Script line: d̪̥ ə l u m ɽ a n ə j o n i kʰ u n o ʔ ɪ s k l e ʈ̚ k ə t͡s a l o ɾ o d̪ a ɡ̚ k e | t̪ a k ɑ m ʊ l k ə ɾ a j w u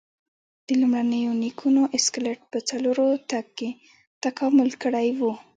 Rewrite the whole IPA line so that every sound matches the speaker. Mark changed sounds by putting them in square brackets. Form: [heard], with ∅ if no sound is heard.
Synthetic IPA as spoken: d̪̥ ə l u m ɽ a n ə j o n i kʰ u n o ʔ ɪ s k l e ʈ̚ [p] ə t͡s a l o ɾ o [t̪] a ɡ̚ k e | t̪ a k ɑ m ʊ l k ə [ɽ] a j w u